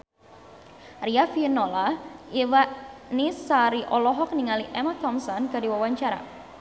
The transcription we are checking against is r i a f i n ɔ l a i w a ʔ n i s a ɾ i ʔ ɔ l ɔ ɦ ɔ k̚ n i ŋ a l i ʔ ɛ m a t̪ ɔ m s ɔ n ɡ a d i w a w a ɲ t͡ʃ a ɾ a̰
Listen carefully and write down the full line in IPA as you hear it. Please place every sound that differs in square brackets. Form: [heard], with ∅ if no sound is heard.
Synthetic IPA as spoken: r i a f i n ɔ l a i w a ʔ n i s a ɾ i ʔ ɔ l ɔ ɦ ɔ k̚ n i ŋ a l i ʔ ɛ m a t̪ ɔ m s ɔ n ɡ a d i w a w a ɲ t͡ʃ a ɾ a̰